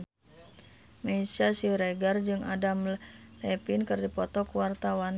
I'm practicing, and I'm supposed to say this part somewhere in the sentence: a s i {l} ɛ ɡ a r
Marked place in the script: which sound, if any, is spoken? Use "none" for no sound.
ɾ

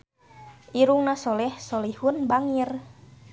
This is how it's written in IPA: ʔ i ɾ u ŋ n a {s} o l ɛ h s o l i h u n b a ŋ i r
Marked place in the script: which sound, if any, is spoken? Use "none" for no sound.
s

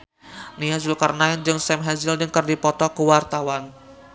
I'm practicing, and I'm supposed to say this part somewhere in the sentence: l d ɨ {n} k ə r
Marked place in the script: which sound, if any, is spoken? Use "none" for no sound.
ŋ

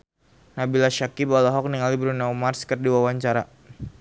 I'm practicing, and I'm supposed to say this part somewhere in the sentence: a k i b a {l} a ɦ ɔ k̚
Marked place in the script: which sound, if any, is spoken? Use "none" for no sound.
l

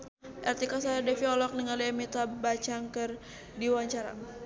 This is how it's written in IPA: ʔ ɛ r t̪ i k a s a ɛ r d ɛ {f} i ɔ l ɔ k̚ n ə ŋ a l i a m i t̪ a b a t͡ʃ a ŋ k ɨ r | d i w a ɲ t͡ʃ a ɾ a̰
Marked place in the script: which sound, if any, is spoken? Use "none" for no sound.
f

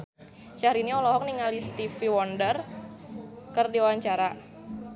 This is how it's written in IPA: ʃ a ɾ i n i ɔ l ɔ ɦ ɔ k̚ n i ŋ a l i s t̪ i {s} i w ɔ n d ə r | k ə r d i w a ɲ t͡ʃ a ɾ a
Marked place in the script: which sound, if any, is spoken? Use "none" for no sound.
f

